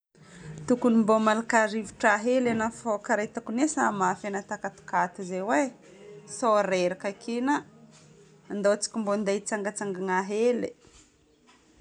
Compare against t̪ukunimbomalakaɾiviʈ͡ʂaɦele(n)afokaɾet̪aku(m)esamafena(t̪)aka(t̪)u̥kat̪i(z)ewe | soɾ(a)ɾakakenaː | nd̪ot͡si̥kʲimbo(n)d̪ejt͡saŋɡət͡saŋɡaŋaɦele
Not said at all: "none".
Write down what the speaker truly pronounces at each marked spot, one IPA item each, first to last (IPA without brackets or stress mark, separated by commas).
n, n, t̪, t̪, z, e, n